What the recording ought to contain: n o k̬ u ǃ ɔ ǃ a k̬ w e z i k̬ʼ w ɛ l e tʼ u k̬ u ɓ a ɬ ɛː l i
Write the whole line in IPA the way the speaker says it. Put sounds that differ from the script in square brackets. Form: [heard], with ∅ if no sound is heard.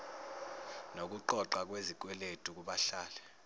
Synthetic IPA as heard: n o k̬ u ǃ ɔ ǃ a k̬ w e z i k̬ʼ w ɛ l e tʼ u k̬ u ɓ a ɬ [aː] l [ɛ]